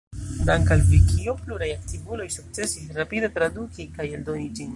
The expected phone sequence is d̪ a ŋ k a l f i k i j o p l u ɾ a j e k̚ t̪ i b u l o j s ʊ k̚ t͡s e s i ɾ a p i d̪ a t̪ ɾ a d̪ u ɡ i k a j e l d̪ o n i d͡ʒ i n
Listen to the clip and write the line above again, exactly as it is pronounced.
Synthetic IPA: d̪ a ŋ k a l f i k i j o p l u ɾ a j a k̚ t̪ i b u l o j s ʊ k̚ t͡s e s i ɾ a p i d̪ a t̪ ɾ a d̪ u k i k a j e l d̪ o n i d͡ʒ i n